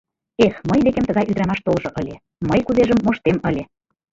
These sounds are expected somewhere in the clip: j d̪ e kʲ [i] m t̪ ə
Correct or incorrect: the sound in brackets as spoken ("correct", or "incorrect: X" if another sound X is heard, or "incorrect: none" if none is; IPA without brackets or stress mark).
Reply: incorrect: e